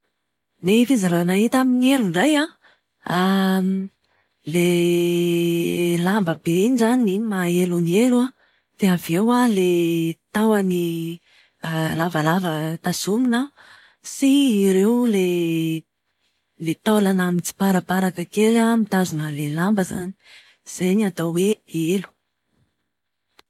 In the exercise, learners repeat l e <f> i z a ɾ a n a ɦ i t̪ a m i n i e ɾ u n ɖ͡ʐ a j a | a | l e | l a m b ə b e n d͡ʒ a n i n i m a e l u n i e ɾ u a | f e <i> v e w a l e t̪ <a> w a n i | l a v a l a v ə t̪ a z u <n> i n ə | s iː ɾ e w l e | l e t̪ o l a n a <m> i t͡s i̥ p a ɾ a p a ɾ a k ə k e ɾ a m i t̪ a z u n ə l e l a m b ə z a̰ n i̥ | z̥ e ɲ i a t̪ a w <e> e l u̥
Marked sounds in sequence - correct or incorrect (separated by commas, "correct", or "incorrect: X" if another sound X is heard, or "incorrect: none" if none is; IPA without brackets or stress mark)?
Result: correct, incorrect: a, correct, incorrect: m, correct, correct